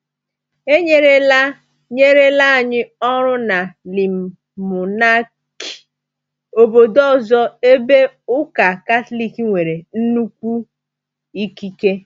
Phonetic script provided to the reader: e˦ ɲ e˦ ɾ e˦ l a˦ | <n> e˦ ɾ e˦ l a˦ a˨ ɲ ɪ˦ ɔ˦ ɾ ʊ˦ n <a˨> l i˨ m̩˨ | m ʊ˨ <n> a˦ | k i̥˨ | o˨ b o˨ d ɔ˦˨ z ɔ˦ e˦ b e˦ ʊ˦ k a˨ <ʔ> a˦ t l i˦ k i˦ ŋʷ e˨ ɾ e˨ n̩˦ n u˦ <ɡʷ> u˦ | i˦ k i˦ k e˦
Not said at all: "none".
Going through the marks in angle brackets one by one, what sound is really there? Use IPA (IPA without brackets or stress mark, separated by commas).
ɲ, a˨, n, k, kʷ